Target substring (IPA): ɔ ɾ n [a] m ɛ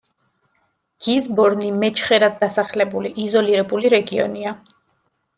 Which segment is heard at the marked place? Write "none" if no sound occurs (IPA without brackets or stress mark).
i